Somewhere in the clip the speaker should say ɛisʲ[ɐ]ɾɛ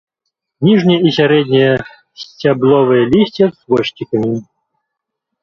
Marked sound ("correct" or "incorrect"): incorrect